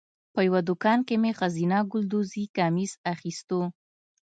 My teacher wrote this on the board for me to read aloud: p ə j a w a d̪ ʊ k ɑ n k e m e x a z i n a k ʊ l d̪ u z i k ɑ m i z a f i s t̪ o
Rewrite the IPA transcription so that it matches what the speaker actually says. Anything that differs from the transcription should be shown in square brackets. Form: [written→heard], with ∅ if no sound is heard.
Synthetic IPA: p ə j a w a d̪ ʊ k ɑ n k e m e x a z i n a [k→ɡ] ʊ l d̪ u z i k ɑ m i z a [f→x] i s t̪ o